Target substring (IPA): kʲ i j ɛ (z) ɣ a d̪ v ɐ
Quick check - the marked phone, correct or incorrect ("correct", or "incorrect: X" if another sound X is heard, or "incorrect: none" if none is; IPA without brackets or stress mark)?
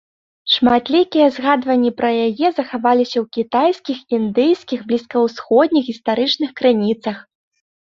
correct